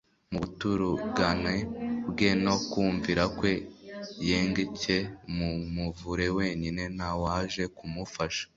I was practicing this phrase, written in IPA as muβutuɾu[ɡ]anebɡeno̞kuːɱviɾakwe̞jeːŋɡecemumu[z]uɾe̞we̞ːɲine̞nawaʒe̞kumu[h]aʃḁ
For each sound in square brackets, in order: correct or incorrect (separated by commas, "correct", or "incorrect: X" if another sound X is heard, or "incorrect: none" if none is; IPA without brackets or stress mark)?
correct, incorrect: v, incorrect: f